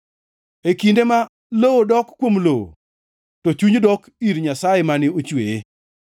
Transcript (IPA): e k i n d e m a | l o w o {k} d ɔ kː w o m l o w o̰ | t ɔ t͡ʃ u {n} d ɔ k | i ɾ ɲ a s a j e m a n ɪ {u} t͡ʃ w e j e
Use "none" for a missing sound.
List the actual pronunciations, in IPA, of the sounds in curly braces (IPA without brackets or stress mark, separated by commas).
none, ɲ, o